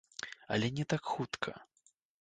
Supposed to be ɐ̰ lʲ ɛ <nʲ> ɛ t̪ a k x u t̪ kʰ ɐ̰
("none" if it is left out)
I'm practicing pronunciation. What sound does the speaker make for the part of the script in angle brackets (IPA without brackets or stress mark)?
nʲ